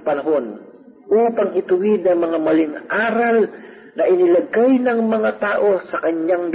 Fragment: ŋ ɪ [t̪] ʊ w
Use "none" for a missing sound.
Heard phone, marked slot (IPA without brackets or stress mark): t̪